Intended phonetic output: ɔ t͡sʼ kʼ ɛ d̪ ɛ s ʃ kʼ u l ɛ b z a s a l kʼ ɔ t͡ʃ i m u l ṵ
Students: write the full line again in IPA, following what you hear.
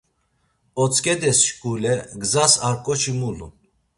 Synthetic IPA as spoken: ɔ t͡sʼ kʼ ɛ d̪ ɛ s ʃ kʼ u l ɛ ɡ z a s a ɾ kʼ ɔ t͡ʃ i m u l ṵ